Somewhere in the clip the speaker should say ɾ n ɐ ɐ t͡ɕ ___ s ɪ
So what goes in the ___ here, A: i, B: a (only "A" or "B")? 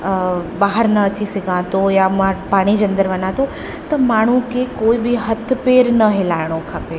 A